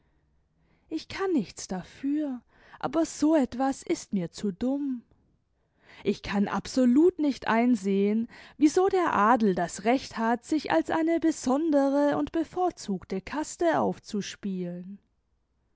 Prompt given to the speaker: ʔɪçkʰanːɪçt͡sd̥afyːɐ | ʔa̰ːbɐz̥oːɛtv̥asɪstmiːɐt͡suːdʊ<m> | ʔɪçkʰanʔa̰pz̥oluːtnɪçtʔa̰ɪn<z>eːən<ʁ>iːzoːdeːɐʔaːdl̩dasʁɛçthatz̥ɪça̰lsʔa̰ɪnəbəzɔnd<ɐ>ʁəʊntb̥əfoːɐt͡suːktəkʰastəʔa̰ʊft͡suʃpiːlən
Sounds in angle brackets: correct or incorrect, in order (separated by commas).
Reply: correct, correct, incorrect, incorrect